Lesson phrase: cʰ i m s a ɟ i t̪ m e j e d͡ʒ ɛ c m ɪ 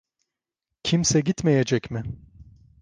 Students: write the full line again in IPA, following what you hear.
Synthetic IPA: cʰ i m s ɛ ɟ i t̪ m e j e d͡ʒ ɛ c m ɪ